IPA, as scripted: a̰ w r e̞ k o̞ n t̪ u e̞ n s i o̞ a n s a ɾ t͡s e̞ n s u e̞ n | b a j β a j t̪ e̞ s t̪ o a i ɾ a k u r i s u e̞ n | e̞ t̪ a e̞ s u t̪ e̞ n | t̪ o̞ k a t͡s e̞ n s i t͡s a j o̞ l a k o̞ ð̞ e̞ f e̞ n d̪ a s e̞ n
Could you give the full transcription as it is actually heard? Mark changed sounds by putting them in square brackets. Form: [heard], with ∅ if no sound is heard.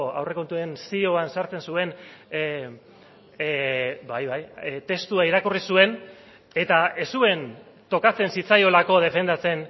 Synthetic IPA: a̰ w r e̞ k o̞ n t̪ u e̞ n s i o̞ a n s a ɾ t͡s e̞ n s u e̞ n | b a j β a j t̪ e̞ s t̪ [u] a i ɾ a k u r i s u e̞ n | e̞ t̪ a e̞ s u [∅] e̞ n | t̪ o̞ k a t͡s e̞ n s i t͡s a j o̞ l a k o̞ ð̞ e̞ f e̞ n d̪ a [t͡s] e̞ n